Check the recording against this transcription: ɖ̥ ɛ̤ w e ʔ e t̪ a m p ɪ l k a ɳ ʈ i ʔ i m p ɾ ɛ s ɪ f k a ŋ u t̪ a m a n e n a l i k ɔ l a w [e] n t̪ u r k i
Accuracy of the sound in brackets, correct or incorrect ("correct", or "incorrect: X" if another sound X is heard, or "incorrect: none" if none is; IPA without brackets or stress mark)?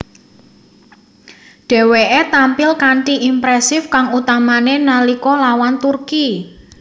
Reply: incorrect: a